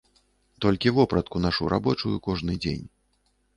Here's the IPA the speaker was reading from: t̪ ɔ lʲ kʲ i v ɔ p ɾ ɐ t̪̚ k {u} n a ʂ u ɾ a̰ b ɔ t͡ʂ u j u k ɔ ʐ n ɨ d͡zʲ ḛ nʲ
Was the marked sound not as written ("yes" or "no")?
no